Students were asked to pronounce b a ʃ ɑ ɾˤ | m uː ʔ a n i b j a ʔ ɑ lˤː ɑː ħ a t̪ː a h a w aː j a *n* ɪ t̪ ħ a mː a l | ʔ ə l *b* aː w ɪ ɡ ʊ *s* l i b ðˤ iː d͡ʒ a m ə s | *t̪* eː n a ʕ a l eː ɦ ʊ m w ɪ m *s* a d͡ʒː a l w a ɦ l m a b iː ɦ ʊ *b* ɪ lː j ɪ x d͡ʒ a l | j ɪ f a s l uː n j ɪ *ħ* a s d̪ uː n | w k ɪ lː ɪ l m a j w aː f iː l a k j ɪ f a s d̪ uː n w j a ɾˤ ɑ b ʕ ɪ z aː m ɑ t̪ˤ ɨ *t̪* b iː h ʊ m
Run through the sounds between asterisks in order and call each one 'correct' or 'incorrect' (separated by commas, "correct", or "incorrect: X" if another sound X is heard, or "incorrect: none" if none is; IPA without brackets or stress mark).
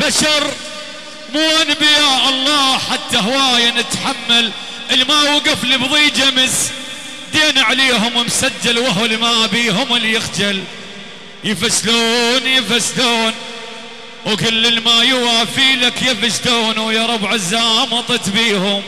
correct, incorrect: m, incorrect: f, incorrect: d̪, correct, incorrect: m, incorrect: f, correct